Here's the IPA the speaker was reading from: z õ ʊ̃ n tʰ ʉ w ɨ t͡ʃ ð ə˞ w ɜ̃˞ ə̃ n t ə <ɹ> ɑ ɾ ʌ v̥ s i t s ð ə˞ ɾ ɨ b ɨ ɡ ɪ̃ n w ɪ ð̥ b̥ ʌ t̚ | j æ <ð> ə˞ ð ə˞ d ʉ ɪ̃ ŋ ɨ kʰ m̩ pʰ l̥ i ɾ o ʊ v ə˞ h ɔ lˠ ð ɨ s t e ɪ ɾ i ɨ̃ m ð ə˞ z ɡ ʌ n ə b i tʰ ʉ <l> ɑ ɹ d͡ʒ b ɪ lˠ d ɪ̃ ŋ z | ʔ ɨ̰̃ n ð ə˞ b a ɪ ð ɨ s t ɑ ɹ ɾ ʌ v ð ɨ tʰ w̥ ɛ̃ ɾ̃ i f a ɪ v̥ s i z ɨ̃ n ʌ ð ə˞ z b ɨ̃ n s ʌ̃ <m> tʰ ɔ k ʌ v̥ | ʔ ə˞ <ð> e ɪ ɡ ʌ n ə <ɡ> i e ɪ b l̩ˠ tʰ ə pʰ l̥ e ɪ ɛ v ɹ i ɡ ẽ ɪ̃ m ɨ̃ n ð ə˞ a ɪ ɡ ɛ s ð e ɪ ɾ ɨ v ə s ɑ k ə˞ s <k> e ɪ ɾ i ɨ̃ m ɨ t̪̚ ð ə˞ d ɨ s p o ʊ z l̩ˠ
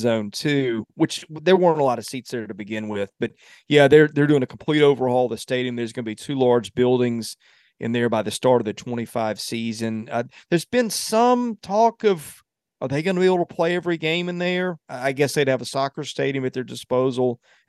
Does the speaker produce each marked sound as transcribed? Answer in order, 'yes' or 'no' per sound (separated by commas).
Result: no, yes, yes, yes, yes, no, no